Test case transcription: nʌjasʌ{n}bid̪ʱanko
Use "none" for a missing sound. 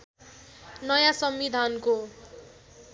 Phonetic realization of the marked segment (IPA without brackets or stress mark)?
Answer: m